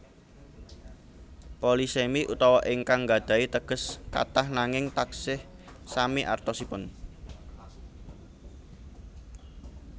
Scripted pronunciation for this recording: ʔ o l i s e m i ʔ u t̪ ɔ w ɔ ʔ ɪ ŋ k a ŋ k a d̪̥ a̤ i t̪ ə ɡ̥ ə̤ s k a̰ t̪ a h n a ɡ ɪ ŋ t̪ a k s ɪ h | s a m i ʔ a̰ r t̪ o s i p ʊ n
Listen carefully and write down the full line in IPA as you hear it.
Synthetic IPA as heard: p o l i s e m i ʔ u t̪ ɔ w ɔ ʔ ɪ ŋ k a ŋ ɡ a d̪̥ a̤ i t̪ ə ɡ̥ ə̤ s k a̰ t̪ a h n a ŋ ɪ ŋ t̪ a k s ɪ h | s a m i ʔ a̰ r t̪ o s i p ʊ n